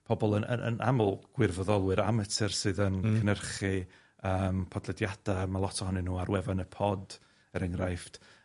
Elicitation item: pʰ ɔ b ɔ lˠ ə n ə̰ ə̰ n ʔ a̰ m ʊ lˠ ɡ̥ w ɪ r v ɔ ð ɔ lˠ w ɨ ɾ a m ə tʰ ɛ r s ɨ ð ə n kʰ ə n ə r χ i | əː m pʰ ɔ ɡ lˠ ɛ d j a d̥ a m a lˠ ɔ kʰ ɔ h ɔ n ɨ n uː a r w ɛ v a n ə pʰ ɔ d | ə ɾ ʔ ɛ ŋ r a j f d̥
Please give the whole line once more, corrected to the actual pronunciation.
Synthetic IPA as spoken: pʰ ɔ b ɔ lˠ ə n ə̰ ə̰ n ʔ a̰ m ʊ lˠ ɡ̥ w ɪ r v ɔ ð ɔ lˠ w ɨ ɾ a m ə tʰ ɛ r s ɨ ð ə n kʰ ə n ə r χ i | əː m pʰ ɔ d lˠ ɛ d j a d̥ a m a lˠ ɔ tʰ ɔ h ɔ n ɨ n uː a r w ɛ v a n ə pʰ ɔ d | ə ɾ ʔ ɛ ŋ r a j f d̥